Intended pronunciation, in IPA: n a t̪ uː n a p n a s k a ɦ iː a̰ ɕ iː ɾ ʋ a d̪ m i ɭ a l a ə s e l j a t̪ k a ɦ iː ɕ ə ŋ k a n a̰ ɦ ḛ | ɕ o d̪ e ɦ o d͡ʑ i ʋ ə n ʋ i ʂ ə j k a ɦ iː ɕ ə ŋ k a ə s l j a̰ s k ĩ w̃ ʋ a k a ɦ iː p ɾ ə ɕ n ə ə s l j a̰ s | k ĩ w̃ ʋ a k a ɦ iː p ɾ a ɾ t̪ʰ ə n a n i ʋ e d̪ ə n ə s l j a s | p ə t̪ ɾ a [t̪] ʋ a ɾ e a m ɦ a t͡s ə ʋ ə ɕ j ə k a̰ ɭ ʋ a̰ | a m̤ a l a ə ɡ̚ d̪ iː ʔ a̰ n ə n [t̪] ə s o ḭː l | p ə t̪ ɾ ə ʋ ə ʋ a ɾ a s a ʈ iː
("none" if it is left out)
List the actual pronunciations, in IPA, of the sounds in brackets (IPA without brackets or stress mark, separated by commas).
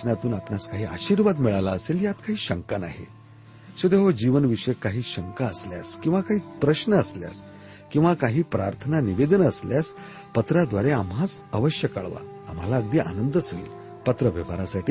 d̪, d̪